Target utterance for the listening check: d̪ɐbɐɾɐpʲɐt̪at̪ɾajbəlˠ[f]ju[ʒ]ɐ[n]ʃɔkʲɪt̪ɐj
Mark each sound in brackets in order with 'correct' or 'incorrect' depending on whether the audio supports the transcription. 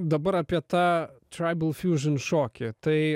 correct, correct, correct

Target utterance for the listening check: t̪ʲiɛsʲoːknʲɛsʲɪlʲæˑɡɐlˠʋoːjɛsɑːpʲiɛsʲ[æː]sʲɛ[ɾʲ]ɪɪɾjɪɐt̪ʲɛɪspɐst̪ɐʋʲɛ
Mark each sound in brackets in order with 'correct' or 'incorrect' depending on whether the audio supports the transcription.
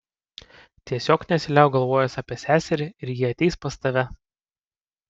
correct, correct

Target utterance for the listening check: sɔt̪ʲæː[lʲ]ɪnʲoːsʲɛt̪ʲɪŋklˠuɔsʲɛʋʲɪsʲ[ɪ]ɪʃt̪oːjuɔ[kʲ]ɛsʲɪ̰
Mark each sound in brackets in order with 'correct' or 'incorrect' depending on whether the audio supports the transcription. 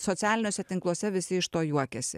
correct, correct, correct

